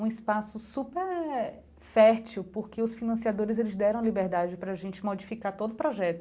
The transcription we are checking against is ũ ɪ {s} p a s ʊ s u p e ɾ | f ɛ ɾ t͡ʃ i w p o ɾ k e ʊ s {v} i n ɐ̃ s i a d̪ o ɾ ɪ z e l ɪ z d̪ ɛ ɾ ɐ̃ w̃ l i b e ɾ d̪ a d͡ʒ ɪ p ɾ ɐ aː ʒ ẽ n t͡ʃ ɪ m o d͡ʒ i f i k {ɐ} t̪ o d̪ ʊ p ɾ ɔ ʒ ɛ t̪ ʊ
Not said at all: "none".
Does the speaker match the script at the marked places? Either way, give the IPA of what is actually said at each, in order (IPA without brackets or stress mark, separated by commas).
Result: s, f, a